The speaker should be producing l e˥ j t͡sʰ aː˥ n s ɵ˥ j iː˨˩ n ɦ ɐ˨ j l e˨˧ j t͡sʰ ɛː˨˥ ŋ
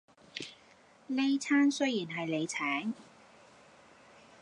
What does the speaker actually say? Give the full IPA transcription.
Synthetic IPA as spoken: l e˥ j t͡sʰ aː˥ n s ɵ˥ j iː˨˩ n ɦ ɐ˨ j l e˨˧ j t͡sʰ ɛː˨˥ ŋ